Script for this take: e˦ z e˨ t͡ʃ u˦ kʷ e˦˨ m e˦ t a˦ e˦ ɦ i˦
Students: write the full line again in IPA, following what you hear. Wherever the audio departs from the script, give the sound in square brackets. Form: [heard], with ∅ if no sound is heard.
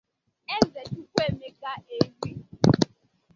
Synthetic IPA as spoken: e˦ z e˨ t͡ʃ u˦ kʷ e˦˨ m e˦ [k] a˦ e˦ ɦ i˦